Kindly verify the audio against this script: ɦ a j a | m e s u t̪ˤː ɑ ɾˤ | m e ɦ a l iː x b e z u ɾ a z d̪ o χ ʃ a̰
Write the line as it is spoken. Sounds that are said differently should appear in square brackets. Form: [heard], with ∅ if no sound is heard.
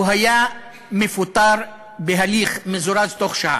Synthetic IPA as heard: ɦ a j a | m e [f] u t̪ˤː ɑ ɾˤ | [b] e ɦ a l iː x [m] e z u ɾ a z [t̪] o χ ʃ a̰